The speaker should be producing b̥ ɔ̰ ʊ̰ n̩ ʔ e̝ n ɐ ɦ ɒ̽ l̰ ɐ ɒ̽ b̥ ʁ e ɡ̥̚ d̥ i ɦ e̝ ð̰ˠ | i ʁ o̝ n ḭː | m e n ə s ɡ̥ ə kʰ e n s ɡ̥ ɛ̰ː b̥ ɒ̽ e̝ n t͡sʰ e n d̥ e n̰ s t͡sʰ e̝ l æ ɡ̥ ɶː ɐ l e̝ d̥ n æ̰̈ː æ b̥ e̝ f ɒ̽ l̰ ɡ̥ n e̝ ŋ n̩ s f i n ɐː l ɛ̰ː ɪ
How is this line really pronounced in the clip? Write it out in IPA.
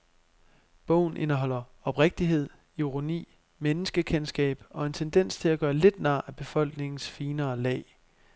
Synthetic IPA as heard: b̥ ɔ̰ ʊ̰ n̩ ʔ e̝ n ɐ ɦ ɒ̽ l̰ ɐ ɒ̽ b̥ ʁ e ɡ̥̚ d̥ i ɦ e̝ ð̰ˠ | i ʁ o̝ n ḭː | m e n ə s ɡ̥ ə kʰ e n s ɡ̥ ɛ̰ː b̥ ɒ̽ e̝ n t͡sʰ e n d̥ e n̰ s t͡sʰ e̝ l æ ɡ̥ ɶː ɐ l e̝ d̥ n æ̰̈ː æ b̥ e̝ f ɒ̽ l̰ ɡ̥ n e̝ ŋ n̩ s f iː n ɐː l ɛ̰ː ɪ